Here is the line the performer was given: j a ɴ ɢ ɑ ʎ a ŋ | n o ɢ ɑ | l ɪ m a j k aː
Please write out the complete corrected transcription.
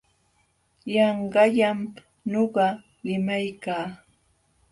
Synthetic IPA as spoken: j ɑ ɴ ɢ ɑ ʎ a m | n o ɢ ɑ | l ɪ m a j k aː